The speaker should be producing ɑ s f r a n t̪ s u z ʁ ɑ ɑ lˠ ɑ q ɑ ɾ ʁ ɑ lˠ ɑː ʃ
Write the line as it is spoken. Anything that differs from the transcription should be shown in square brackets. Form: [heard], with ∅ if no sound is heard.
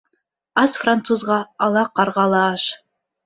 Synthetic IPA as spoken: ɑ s f r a n t̪ s u z ʁ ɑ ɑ lˠ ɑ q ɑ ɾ ʁ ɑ lˠ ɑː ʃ